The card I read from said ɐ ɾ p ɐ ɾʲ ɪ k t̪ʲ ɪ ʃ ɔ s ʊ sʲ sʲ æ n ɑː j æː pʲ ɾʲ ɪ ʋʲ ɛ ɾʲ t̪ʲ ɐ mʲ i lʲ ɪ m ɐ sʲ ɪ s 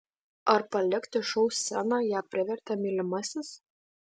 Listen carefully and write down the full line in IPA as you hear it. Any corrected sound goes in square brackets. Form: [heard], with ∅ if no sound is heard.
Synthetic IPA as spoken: ɐ ɾ p ɐ [lʲ] ɪ k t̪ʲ ɪ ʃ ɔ [∅] ʊ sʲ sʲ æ n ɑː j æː pʲ ɾʲ ɪ ʋʲ ɛ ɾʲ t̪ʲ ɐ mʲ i lʲ ɪ m ɐ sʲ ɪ s